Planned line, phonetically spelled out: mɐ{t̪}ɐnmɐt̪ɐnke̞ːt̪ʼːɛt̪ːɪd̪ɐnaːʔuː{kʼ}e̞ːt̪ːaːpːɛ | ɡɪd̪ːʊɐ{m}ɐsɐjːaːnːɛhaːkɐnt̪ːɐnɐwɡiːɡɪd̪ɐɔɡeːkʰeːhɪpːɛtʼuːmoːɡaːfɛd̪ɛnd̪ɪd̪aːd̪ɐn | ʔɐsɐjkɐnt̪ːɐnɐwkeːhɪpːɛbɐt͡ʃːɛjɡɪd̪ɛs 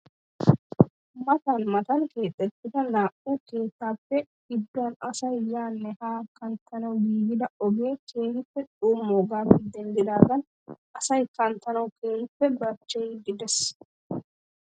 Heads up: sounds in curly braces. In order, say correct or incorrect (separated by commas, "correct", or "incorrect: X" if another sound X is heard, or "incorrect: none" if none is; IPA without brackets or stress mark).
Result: correct, incorrect: k, incorrect: n